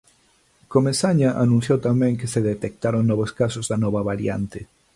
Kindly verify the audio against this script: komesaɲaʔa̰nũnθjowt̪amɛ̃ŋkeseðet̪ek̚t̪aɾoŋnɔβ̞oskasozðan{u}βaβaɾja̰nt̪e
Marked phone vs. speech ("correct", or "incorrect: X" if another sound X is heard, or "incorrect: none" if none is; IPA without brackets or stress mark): incorrect: ɔ